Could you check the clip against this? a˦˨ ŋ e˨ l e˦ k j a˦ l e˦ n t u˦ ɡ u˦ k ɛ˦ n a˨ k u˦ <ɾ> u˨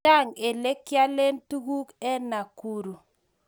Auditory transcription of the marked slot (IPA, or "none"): ɾ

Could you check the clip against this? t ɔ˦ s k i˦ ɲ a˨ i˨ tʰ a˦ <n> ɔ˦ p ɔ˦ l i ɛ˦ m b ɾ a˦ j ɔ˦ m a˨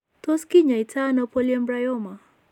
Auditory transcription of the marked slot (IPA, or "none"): n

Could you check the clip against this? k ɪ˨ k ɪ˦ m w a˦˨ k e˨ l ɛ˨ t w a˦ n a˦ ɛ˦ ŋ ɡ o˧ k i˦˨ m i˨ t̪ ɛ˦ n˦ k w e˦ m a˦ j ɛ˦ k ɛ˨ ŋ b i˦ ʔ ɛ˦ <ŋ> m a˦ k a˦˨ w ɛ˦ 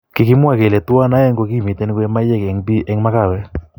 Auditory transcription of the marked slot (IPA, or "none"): ŋ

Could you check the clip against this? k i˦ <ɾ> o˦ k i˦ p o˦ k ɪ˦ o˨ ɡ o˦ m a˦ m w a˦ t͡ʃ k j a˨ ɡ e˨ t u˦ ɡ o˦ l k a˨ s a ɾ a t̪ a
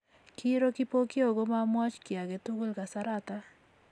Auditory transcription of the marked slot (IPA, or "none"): ɾ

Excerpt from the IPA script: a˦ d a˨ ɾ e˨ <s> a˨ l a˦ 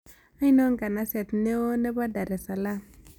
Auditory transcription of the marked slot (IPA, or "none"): s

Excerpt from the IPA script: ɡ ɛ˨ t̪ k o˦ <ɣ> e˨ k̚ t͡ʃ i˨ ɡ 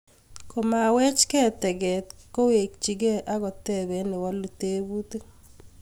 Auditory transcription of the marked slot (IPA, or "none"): w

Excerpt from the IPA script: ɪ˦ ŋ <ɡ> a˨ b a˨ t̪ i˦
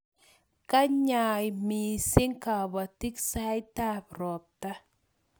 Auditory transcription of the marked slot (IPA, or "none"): k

